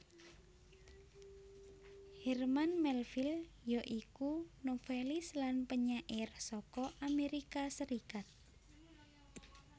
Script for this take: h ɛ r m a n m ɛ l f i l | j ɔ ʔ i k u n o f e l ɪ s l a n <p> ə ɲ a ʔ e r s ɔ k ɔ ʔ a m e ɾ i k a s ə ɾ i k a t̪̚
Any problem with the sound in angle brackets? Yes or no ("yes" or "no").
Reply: no